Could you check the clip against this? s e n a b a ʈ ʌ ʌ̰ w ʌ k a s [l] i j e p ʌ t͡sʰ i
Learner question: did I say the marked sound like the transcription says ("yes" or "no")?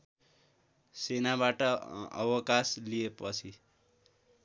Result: yes